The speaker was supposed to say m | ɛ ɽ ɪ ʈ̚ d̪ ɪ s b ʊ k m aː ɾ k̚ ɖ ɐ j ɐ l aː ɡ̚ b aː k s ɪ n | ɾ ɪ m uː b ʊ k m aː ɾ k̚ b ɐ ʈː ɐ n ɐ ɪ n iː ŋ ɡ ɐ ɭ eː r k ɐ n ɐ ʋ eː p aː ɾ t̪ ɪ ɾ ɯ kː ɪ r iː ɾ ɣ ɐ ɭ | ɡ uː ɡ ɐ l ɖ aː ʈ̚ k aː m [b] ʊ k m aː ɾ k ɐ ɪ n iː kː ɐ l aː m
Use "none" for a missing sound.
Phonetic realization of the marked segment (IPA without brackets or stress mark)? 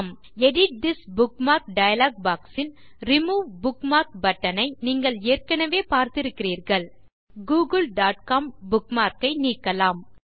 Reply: b